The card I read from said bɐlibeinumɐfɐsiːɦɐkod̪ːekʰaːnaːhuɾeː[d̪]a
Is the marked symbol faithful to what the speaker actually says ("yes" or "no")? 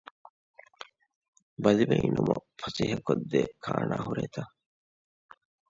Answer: no